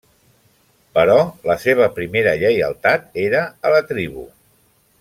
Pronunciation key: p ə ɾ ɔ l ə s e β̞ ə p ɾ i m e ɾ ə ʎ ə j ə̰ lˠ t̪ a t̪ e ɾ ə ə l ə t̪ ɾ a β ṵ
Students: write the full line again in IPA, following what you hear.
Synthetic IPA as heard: p ə ɾ ɔ l ə s e β̞ ə p ɾ i m e ɾ ə ʎ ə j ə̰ lˠ t̪ a t̪ e ɾ ə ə l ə t̪ ɾ i β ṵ

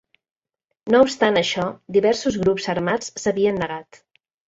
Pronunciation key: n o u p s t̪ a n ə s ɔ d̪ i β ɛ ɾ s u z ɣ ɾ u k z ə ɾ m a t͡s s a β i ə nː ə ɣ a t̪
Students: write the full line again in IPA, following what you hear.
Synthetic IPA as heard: n o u p s t̪ a n ə ʃ ɔ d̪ i β ɛ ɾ s u z ɣ ɾ u p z ə ɾ m a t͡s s ə β i ə nː ə ɣ a t̪

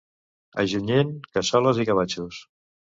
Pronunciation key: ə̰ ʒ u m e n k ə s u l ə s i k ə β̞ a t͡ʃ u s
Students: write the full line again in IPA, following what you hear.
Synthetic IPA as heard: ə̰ ʒ u ɲ e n k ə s ɔ l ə z i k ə β̞ a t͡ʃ u s

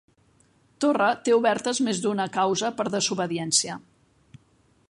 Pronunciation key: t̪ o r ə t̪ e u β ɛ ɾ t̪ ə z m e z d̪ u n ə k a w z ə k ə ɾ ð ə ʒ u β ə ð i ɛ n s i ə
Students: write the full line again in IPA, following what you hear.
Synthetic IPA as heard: t̪ o r ə t̪ e u β ɛ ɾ t̪ ə z m e z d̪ u n ə k a w z ə p ə ɾ ð ə z u β ə ð i ɛ n s i ə

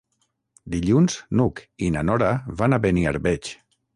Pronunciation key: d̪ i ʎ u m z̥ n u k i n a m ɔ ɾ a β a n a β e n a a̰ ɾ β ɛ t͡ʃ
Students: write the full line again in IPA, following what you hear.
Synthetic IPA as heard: d̪ i ʎ u n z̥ n u k i n a n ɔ ɾ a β a n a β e n i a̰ ɾ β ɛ t͡ʃ

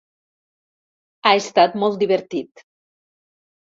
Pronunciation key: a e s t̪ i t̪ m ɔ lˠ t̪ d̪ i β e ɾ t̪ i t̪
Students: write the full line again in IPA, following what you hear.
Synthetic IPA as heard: a e s t̪ a t̪ m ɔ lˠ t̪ d̪ i β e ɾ t̪ i t̪

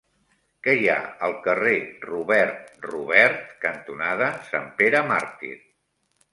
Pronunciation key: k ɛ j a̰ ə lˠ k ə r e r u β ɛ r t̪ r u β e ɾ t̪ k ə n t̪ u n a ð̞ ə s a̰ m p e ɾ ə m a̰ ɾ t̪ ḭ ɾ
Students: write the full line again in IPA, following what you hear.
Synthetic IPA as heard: k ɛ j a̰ ə lˠ k ə r e r u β ɛ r t̪ r u β ɛ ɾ t̪ k ə n t̪ u n a ð̞ ə s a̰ m p e ɾ ə m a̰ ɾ t̪ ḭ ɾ

